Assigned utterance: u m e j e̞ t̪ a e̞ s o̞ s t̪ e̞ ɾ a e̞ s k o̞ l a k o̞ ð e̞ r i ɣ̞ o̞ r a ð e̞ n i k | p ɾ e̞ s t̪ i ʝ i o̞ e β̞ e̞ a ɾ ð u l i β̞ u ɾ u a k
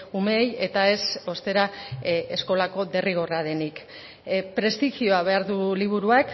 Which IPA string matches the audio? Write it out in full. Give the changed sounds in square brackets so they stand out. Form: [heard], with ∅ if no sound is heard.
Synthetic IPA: u m e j e̞ t̪ a e̞ s o̞ s t̪ e̞ ɾ a e̞ s k o̞ l a k o̞ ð e̞ r i ɣ̞ o̞ r a ð e̞ n i k | p ɾ e̞ s t̪ i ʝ i o̞ [a] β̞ e̞ a ɾ ð u l i β̞ u ɾ u a k